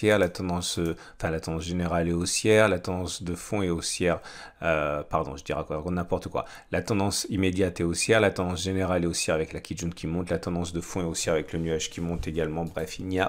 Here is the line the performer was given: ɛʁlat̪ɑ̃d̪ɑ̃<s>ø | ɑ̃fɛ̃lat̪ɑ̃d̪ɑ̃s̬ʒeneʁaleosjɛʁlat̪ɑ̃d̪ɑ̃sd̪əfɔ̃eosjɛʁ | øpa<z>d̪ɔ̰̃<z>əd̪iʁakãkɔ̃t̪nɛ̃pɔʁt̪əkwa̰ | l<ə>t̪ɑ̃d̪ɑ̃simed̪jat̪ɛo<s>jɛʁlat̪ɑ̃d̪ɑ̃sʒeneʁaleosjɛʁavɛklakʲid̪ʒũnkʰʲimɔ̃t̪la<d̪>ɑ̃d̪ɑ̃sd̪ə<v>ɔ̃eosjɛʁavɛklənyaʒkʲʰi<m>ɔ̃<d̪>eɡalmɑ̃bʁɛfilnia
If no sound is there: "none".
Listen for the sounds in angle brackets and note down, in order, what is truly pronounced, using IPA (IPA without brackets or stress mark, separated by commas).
s, ʁ, ʒ, a, s, t̪, f, m, t̪